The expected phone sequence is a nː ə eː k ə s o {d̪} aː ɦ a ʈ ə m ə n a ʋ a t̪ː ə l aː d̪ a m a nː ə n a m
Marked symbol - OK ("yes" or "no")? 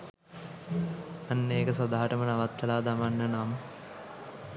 yes